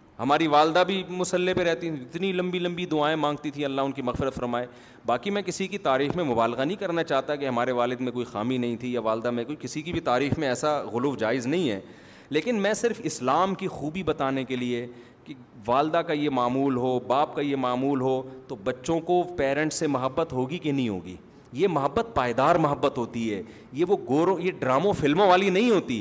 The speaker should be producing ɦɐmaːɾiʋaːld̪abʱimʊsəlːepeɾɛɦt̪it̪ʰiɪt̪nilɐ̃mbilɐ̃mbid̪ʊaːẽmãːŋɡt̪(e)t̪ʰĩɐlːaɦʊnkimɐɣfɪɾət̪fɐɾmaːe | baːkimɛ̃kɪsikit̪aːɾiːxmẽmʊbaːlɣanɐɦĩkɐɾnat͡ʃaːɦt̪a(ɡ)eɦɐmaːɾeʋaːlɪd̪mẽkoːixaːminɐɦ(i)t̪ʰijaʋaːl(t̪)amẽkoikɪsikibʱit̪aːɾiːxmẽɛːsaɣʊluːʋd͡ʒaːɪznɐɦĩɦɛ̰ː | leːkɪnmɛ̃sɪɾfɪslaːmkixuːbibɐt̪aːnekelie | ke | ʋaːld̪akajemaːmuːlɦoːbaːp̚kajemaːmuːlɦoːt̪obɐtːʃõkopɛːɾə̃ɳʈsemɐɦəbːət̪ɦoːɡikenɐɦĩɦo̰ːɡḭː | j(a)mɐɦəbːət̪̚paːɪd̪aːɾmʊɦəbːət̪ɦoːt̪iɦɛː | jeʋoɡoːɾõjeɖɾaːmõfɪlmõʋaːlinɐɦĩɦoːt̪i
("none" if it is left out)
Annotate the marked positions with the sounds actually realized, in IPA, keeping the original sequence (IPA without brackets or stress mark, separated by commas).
i, k, ĩ, d̪, e